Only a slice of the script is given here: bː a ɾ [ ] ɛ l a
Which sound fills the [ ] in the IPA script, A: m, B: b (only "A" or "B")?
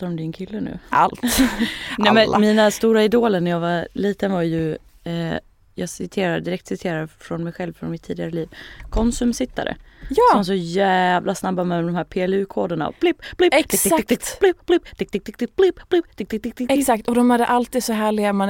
A